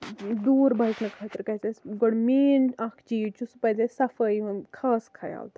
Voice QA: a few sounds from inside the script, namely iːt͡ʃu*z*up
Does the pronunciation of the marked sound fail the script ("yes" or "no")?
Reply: yes